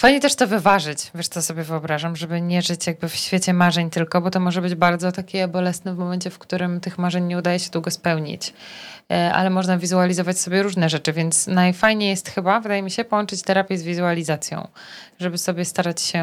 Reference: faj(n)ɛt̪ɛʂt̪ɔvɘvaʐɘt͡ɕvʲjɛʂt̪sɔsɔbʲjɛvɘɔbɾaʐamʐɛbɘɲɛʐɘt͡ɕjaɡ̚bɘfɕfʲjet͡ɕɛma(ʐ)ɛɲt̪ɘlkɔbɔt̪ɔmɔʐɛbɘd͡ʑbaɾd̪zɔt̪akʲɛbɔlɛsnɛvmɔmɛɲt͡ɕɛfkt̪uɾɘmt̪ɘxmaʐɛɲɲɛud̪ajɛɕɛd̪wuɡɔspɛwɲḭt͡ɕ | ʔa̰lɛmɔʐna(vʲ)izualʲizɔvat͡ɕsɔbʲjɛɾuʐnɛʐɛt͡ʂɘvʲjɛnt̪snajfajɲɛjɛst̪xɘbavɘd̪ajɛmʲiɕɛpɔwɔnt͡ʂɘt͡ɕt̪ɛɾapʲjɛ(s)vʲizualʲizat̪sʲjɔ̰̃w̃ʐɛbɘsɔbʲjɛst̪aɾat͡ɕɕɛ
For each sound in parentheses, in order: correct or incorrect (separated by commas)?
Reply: incorrect, correct, correct, incorrect